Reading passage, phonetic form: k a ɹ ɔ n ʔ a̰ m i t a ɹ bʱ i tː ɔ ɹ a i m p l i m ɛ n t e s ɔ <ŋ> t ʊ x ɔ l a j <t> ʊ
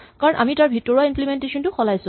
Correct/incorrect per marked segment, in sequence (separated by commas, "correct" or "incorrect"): incorrect, incorrect